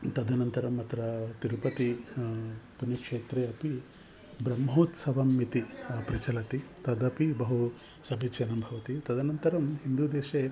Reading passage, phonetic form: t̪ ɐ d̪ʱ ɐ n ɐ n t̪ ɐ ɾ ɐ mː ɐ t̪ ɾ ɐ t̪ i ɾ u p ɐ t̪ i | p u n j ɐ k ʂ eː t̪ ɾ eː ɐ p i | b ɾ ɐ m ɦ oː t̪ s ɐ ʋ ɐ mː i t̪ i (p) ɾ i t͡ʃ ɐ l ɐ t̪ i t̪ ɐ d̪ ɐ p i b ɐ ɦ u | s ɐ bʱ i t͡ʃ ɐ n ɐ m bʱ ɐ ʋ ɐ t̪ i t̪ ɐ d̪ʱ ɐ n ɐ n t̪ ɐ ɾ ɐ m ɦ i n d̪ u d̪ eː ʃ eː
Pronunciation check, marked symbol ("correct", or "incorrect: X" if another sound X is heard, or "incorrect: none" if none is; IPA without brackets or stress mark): correct